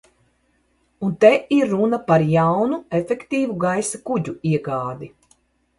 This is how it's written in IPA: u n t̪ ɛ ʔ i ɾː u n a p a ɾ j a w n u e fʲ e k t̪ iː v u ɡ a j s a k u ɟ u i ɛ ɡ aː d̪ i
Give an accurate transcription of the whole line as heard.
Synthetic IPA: u n t̪ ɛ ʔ i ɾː u n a p a ɾ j a w n u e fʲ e k t̪ iː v u ɡ a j s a k u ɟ u i ɛ ɡ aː d̪ i